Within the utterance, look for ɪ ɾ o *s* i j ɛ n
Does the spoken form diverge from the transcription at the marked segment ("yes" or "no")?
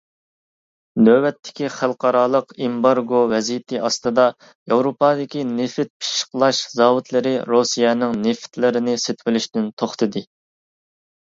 no